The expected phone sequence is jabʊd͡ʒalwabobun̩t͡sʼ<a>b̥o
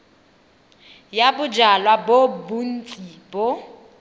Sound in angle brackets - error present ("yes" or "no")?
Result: yes